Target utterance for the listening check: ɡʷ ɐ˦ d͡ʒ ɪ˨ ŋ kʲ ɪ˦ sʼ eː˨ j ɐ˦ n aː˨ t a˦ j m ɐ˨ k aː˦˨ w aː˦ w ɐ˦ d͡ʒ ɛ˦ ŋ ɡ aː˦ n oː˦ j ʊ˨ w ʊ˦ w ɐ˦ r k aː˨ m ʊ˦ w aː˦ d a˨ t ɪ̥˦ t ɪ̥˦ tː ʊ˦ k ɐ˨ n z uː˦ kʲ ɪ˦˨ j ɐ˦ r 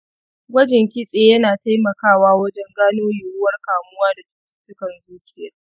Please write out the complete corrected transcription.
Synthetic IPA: ɡʷ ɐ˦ d͡ʒ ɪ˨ ŋ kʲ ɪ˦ sʼ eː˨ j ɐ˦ n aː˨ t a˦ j m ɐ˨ k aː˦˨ w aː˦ w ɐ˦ d͡ʒ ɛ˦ ŋ ɡ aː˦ n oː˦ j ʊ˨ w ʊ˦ w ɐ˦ r k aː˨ m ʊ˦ w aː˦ d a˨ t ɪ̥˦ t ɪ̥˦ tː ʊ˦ k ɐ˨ n z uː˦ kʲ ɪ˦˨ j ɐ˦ r

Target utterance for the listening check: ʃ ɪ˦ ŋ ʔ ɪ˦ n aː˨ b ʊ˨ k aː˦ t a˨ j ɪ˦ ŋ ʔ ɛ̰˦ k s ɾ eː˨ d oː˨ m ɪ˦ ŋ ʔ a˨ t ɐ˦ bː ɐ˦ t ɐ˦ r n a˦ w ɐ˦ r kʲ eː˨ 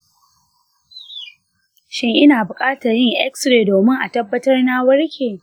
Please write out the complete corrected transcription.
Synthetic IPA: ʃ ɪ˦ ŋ ʔ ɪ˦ n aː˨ b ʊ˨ kʼ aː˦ t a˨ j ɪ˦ ŋ ʔ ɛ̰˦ k s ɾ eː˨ d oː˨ m ɪ˦ ŋ ʔ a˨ t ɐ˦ bː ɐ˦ t ɐ˦ r n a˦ w ɐ˦ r kʲ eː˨

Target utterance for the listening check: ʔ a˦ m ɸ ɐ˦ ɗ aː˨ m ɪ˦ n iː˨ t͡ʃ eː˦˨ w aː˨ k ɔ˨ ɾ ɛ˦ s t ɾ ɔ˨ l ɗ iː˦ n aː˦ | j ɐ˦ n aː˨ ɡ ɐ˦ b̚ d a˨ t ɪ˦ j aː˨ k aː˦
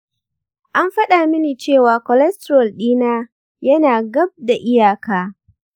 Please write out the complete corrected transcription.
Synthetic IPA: ʔ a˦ m ɸ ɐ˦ ɗ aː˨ m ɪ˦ n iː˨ t͡ʃ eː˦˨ w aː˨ k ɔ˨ l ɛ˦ s t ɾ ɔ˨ l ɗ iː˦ n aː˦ | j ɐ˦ n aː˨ ɡ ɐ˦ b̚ d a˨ ʔ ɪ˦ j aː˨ k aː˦

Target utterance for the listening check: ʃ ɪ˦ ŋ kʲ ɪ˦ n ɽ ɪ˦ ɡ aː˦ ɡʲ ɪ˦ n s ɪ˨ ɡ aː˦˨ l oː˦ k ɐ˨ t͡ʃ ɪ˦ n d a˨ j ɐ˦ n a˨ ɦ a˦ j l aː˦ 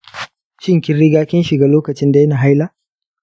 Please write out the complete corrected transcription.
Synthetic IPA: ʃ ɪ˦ ŋ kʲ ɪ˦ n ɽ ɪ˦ ɡ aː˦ kʲ ɪ˦ n ʃ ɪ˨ ɡ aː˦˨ l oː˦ k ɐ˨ t͡ʃ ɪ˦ n d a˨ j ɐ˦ n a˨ ɦ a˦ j l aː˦

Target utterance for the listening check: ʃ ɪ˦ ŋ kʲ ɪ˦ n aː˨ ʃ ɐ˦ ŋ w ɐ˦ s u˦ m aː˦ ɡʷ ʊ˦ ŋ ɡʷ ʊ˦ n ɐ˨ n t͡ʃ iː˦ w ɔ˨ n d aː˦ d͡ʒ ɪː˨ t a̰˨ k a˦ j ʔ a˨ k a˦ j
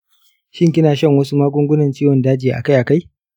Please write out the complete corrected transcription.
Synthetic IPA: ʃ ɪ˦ ŋ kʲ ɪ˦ n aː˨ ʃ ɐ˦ ŋ w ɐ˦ s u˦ m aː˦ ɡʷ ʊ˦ ŋ ɡʷ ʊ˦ n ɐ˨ n t͡ʃ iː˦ w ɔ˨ n d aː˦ d͡ʒ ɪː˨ ʔ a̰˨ k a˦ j ʔ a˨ k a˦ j

